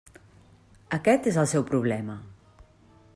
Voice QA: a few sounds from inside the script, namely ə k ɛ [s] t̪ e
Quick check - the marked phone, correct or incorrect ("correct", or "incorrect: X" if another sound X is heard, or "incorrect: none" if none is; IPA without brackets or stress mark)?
incorrect: none